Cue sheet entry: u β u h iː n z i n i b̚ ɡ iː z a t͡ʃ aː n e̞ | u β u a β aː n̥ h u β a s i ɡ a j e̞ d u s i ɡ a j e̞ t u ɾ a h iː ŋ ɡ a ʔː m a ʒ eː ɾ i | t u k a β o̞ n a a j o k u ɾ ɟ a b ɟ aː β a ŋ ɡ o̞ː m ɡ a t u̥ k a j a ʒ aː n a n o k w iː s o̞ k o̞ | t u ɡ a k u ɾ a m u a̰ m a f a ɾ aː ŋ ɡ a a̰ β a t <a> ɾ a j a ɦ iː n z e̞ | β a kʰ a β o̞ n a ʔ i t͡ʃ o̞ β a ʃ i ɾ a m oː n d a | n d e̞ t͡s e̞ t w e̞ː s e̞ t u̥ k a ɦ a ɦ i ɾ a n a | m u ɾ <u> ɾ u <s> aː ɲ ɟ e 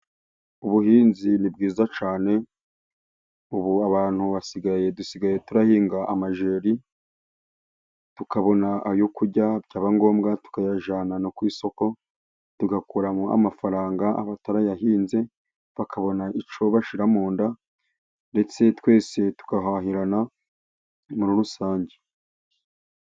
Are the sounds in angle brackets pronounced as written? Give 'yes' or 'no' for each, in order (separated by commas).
yes, yes, yes